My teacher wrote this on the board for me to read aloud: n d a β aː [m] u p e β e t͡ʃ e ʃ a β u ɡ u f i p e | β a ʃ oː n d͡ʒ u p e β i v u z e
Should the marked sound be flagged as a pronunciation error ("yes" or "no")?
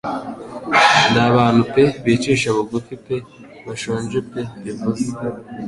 yes